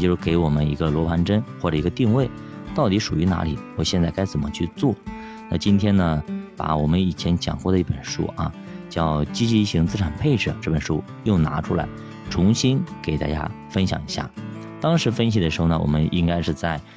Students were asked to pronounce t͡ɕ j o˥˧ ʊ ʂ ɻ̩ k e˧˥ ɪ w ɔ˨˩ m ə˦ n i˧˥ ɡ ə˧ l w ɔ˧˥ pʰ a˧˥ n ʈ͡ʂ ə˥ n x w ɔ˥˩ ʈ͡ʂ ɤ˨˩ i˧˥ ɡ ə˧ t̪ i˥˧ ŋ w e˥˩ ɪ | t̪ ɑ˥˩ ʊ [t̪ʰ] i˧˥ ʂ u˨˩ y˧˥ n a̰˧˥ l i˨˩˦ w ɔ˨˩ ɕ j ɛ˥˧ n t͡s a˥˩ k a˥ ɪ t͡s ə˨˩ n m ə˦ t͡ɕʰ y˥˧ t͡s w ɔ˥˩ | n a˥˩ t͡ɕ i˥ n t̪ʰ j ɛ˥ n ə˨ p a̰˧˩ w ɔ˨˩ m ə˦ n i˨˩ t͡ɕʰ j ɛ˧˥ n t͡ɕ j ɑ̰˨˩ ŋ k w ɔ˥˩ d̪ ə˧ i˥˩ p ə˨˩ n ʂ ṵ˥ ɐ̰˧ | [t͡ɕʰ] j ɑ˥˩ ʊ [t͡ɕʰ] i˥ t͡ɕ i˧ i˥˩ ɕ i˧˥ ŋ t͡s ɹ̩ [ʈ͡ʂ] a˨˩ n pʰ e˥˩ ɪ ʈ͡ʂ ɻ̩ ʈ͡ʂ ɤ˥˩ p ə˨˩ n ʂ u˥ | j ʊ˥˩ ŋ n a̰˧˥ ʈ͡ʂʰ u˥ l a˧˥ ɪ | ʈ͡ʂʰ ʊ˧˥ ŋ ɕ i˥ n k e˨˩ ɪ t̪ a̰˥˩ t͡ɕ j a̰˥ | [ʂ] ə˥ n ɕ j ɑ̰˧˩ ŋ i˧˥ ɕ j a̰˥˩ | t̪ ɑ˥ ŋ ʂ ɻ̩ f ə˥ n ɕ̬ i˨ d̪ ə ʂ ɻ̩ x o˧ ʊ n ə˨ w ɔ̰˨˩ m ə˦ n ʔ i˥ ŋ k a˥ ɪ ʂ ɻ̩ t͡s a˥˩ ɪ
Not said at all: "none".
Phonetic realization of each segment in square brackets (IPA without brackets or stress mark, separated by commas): t̪, t͡ɕ, t͡ɕ, ʈ͡ʂʰ, f